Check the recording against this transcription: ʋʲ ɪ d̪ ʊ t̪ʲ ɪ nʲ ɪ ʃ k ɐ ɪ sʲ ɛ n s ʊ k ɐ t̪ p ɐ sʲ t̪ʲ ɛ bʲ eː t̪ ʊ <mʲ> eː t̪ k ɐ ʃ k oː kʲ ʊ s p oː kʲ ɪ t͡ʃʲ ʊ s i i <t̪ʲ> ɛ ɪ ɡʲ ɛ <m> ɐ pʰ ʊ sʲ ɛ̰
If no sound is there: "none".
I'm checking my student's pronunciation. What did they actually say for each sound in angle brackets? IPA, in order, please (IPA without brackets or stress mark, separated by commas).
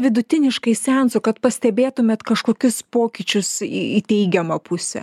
mʲ, t̪ʲ, m